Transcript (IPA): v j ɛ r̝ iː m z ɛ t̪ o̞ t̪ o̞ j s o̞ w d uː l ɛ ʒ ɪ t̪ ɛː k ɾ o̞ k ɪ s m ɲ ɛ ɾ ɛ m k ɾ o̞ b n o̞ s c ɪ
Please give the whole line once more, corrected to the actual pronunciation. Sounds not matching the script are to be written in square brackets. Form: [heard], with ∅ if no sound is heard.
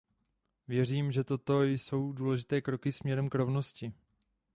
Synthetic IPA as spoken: v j ɛ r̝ iː m [ʒ] ɛ t̪ o̞ t̪ o̞ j s o̞ w d uː l ɛ ʒ ɪ t̪ ɛː k ɾ o̞ k ɪ s m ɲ ɛ ɾ ɛ m k ɾ o̞ [v] n o̞ s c ɪ